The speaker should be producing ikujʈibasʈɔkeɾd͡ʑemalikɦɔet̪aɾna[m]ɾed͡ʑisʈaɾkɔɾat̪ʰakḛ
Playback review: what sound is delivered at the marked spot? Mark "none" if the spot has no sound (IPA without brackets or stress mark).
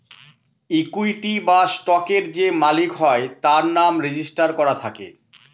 m